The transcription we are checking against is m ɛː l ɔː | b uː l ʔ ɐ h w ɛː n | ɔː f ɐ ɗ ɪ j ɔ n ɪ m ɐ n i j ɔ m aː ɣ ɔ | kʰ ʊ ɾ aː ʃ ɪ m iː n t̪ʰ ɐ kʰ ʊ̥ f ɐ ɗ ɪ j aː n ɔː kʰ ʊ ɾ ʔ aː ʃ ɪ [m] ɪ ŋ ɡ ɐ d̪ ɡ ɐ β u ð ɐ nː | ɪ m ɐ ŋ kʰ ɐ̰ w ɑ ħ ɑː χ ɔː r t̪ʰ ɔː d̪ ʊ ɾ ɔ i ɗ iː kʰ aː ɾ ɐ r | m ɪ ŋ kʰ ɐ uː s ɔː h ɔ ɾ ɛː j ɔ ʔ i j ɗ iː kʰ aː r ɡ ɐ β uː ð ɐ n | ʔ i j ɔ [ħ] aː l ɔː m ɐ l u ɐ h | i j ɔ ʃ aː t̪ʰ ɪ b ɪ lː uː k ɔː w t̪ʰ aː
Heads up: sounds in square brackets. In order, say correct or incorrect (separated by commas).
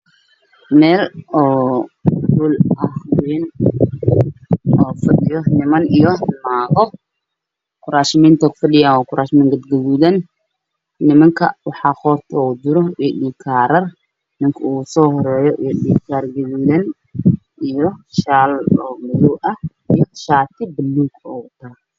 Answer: correct, incorrect